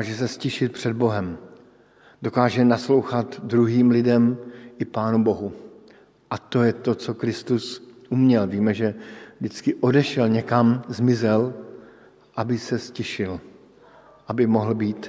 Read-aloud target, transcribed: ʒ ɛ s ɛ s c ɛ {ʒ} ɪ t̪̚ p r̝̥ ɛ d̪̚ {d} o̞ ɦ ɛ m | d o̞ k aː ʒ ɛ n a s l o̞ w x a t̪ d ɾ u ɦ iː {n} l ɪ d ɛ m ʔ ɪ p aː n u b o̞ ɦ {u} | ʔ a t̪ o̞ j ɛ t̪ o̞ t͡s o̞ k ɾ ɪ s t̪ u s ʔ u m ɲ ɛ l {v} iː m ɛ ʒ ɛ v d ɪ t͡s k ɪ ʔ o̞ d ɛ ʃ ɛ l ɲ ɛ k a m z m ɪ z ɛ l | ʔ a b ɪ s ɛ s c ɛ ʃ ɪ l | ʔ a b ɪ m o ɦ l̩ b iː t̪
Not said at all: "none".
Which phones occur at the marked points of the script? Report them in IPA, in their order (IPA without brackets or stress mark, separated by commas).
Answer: ʃ, b, m, u, v